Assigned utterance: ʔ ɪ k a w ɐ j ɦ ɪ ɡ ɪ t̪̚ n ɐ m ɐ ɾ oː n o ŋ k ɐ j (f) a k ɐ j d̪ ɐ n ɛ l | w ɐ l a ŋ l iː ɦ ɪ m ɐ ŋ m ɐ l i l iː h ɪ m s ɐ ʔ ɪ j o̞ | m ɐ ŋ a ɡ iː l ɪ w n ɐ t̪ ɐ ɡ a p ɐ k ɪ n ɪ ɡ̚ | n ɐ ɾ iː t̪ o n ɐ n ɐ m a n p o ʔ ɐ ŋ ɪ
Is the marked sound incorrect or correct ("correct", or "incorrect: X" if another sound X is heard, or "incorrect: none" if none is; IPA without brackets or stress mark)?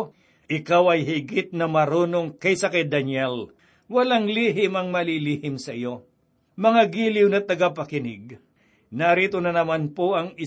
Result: incorrect: s